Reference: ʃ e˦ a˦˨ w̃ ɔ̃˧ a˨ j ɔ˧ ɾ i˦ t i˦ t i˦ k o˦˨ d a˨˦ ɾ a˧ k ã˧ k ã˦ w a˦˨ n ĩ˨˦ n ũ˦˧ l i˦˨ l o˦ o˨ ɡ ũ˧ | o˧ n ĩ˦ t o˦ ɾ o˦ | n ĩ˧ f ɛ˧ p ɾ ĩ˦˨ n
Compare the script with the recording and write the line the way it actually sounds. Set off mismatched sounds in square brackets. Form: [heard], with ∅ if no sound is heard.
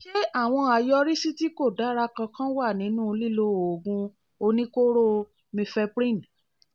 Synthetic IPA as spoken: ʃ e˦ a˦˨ w̃ ɔ̃˧ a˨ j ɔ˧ ɾ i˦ [s] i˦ t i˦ k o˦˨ d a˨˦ ɾ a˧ k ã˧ k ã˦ w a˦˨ n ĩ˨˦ n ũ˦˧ l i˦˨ l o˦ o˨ ɡ ũ˧ | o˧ n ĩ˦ [k] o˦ ɾ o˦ | [m] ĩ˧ f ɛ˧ p ɾ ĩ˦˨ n